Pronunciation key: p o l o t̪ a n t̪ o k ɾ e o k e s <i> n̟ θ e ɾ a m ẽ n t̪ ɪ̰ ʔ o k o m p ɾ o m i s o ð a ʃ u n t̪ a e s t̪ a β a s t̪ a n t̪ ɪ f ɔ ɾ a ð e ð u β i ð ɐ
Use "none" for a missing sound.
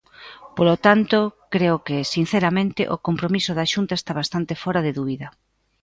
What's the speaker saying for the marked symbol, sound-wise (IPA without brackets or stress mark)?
i